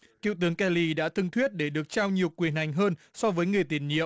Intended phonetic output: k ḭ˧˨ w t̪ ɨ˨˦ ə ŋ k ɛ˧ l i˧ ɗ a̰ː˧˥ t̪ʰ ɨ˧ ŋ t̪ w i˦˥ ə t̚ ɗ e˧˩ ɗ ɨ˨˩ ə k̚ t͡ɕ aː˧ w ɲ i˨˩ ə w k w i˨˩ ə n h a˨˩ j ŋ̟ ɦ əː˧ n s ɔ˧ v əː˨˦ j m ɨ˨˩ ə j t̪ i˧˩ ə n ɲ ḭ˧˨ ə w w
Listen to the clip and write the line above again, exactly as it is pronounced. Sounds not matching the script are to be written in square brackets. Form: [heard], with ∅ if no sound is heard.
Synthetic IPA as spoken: k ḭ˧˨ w t̪ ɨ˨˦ ə ŋ k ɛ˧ l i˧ ɗ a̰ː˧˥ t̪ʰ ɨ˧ ŋ [t̪ʰ] w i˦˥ ə t̚ ɗ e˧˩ ɗ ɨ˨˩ ə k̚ t͡ɕ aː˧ w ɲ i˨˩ ə w k w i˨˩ ə n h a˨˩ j ŋ̟ ɦ əː˧ n s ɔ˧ v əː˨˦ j [ŋ] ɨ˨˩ ə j t̪ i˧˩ ə n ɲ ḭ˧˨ ə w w